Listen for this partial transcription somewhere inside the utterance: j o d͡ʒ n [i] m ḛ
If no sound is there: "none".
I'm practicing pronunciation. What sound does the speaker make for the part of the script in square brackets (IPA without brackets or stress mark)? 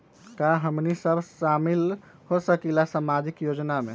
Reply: a